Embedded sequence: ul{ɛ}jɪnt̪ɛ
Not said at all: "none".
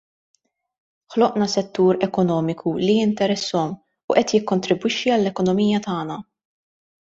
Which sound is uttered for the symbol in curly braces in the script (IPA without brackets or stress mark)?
i